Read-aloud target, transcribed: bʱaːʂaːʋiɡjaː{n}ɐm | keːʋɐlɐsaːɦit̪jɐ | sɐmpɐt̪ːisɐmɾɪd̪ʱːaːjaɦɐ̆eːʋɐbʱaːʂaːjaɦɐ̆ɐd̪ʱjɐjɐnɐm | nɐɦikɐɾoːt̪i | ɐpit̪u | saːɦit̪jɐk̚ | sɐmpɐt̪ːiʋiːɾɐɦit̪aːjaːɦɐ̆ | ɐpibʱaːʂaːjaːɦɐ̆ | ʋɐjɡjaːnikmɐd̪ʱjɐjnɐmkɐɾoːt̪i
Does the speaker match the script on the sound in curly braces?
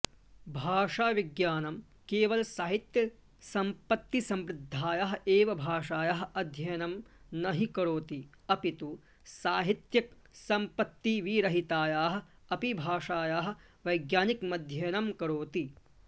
yes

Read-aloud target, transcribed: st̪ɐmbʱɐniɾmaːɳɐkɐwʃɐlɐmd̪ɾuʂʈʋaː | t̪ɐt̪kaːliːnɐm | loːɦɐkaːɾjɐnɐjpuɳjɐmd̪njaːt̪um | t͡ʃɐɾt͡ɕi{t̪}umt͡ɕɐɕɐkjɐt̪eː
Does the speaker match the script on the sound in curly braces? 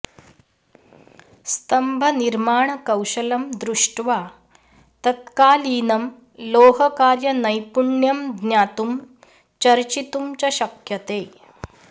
yes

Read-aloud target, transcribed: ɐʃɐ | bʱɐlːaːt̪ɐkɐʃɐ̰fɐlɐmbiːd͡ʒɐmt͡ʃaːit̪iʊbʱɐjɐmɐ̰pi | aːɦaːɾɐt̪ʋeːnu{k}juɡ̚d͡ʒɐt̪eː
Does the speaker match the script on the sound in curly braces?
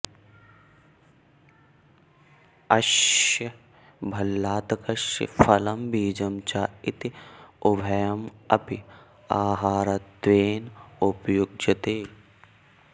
no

